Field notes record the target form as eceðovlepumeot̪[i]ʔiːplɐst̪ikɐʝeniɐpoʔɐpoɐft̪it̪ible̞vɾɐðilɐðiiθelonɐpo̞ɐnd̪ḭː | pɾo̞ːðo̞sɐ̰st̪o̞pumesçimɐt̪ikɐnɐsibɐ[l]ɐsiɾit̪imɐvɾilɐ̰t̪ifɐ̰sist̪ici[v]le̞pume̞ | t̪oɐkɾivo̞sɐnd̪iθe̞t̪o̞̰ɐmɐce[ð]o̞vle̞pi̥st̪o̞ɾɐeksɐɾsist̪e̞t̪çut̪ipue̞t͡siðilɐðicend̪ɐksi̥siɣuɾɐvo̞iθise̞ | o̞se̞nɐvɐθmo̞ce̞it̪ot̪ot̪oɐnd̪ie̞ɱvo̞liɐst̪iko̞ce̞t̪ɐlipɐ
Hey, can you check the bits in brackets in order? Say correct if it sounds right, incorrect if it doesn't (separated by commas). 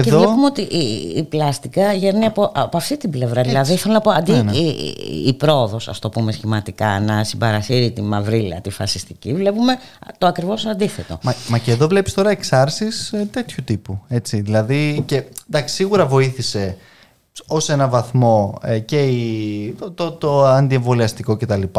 correct, incorrect, correct, correct